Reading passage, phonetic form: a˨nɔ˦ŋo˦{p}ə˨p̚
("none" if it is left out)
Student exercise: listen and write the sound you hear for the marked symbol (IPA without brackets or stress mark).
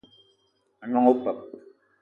p